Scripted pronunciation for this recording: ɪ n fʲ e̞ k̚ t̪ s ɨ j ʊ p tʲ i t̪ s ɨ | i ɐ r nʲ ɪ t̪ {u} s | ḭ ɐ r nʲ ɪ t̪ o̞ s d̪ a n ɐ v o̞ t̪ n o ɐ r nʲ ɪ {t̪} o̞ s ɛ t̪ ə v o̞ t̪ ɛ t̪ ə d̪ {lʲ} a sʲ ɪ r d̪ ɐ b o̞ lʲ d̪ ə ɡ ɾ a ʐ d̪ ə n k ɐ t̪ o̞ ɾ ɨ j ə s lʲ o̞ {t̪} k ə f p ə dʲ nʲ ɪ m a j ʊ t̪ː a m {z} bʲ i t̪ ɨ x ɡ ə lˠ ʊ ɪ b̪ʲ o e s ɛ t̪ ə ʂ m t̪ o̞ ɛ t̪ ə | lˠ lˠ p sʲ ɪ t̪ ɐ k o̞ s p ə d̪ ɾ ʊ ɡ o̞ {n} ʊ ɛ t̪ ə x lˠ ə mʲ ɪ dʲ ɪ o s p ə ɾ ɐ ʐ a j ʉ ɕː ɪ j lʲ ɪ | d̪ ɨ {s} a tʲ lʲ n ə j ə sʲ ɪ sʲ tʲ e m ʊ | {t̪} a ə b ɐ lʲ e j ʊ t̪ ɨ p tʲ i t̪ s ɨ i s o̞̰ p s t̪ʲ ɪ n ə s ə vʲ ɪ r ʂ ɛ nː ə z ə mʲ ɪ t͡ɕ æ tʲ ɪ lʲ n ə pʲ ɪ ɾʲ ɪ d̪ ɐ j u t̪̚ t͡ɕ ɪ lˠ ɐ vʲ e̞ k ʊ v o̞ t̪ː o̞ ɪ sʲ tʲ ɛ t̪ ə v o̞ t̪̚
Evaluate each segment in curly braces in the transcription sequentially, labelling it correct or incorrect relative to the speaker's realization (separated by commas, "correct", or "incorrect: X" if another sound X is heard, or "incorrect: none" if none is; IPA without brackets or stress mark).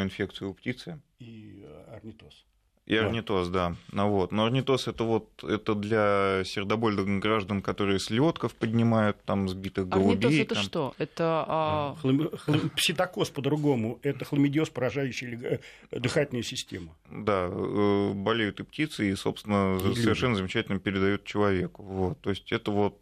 incorrect: o, correct, correct, correct, correct, incorrect: m, incorrect: x, incorrect: d̪